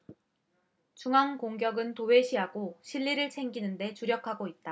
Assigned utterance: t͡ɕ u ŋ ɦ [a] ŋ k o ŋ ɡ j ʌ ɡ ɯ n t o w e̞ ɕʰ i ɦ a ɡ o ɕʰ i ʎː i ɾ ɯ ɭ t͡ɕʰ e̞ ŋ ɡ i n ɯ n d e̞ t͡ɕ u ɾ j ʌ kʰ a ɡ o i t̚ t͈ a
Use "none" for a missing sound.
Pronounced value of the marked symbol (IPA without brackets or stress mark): a